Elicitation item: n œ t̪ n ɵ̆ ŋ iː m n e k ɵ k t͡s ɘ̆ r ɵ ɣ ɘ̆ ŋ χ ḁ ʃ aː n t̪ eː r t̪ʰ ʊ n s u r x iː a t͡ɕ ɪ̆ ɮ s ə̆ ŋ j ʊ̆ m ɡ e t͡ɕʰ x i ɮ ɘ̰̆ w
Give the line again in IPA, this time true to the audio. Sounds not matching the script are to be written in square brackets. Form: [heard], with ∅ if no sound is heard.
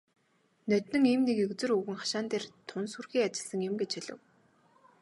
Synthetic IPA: n œ t̪ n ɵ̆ ŋ iː m n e k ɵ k t͡s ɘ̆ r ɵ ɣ ɘ̆ ŋ χ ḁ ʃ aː n t̪ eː r t̪ʰ ʊ n s u r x iː a t͡ɕ ɪ̆ ɮ s ə̆ ŋ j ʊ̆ m ɡ e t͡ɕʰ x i ɮ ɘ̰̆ w